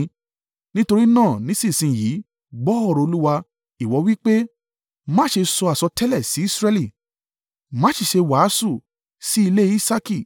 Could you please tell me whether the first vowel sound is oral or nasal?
nasal